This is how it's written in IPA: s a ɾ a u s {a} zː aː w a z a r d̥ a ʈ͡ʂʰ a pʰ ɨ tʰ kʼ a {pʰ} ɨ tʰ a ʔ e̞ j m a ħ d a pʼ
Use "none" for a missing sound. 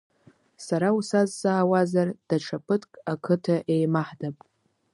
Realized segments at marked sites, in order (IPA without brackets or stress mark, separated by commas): a, kʰ